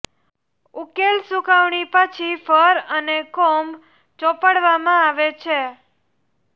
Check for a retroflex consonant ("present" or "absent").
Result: present